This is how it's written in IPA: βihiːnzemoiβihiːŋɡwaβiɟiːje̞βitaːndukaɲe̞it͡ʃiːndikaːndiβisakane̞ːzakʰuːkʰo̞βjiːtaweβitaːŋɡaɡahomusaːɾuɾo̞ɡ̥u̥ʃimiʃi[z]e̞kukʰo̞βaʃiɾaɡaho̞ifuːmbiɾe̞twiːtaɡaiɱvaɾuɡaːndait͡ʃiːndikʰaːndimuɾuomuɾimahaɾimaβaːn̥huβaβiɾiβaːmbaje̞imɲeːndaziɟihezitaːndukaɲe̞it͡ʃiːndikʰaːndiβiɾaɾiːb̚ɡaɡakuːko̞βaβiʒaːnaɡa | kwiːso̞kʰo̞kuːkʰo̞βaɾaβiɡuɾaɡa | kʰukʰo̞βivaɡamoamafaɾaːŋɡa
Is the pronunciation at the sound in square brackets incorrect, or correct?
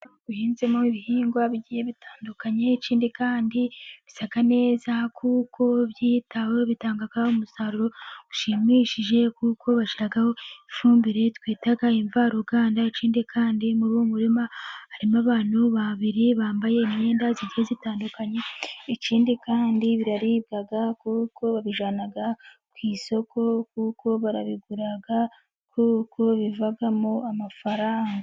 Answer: incorrect